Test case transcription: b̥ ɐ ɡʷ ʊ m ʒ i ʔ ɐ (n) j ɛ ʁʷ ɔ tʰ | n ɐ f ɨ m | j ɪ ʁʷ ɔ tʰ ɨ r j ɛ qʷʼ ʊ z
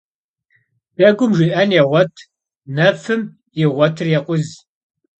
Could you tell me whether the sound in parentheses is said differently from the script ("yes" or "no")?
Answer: no